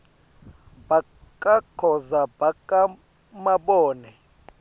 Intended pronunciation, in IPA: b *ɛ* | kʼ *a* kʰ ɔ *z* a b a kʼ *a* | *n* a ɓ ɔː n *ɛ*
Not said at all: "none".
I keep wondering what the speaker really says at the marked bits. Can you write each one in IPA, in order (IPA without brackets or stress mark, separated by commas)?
a, a, z, a, m, ɛ